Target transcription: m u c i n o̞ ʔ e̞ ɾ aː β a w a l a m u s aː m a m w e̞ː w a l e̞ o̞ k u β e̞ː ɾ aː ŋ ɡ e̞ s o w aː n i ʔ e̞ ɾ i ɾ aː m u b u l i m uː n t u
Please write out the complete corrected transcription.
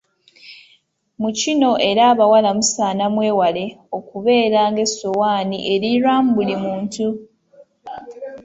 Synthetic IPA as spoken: m u c i n o̞ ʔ e̞ ɾ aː β a w a l a m u s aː n a m w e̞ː w a l e̞ o̞ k u β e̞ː ɾ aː ŋ ɡ e̞ s o w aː n i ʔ e̞ ɾ i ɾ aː m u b u l i m uː n t u